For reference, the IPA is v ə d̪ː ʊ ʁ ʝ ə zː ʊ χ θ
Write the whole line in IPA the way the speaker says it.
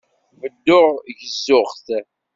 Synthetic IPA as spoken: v ə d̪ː ʊ ʁ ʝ ə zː ʊ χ θ